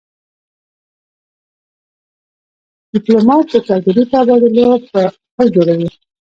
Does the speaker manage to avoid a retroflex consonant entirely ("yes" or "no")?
no